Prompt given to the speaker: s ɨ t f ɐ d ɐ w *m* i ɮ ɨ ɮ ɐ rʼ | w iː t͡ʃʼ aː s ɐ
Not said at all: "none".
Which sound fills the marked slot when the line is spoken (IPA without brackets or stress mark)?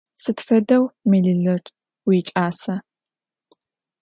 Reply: m